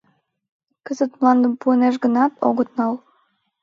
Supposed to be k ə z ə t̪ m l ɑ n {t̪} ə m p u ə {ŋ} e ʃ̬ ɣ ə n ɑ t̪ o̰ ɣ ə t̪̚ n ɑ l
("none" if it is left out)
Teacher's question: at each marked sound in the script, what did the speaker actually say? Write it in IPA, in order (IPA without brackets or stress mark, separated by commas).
d̪, n